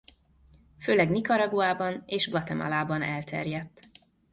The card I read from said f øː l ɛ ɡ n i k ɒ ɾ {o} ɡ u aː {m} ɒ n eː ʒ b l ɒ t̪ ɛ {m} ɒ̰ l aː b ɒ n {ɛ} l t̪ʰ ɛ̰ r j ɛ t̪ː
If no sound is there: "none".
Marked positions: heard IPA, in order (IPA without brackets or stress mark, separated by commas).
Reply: ɒ, b, m, ɛ